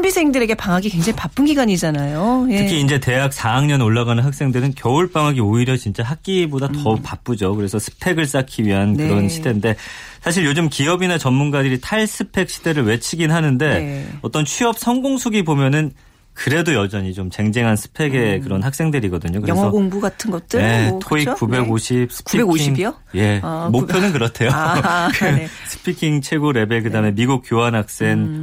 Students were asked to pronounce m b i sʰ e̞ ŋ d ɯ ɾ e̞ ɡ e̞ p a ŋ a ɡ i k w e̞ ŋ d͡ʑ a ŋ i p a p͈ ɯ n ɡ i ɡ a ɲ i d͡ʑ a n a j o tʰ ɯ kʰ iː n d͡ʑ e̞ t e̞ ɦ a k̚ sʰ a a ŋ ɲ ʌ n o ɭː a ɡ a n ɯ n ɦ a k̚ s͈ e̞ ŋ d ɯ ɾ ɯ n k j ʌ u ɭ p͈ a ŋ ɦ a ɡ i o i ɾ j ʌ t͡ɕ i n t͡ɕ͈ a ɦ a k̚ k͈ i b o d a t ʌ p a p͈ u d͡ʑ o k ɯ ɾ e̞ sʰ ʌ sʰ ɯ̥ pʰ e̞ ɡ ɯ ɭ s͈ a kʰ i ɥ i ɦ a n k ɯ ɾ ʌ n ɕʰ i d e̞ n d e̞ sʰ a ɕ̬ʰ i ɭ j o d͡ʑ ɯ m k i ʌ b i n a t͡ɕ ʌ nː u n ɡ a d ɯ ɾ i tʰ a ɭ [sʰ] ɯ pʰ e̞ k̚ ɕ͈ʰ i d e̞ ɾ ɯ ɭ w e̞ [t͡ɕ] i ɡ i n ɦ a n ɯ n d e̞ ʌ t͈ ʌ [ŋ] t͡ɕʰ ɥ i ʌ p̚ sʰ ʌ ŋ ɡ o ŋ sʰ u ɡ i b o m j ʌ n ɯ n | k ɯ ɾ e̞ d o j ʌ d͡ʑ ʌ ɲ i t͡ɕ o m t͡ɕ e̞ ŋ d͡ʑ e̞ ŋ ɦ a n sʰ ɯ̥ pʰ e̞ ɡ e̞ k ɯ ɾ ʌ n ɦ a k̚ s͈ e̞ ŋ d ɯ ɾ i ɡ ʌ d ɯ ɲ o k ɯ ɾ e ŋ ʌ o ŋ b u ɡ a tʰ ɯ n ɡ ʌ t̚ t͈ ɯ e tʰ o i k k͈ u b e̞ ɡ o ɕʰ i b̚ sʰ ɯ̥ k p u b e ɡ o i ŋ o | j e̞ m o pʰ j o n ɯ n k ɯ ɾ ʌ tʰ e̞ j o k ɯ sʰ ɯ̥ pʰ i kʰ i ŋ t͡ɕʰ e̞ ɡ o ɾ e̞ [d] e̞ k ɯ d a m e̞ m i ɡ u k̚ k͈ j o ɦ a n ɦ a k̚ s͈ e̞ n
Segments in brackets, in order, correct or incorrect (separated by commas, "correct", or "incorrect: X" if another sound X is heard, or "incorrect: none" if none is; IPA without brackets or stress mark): correct, incorrect: t͡ɕʰ, incorrect: n, incorrect: b